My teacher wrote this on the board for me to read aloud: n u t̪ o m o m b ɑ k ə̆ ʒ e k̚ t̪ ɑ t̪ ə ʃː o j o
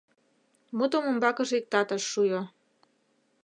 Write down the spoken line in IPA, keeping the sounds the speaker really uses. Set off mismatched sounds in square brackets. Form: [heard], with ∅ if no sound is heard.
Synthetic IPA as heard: [m] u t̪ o m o m b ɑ k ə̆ ʒ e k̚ t̪ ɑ t̪ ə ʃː [u] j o